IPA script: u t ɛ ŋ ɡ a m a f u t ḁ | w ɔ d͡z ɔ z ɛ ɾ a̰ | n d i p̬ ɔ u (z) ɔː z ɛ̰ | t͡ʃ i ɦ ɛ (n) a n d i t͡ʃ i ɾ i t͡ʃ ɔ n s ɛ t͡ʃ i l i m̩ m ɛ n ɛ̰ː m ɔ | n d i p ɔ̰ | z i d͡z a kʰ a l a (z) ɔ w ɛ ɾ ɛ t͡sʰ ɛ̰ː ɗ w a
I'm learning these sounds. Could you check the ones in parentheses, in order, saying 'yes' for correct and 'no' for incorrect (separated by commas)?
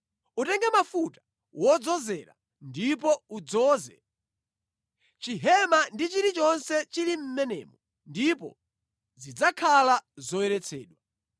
no, no, yes